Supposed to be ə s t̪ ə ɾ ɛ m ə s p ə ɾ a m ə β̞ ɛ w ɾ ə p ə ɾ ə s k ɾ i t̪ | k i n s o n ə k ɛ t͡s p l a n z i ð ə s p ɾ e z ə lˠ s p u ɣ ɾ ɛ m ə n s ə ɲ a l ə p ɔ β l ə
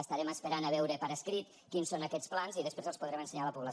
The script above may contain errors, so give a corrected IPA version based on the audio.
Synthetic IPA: ə s t̪ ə ɾ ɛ m ə s p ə ɾ a n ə β̞ ɛ w ɾ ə p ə ɾ ə s k ɾ i t̪ | k i n s o n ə k ɛ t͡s p l a n z i ð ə s p ɾ e z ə lˠ s p u ð ɾ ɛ m ə n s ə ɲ a l ə p u β l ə